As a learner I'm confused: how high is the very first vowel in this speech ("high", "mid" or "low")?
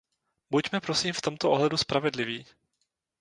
high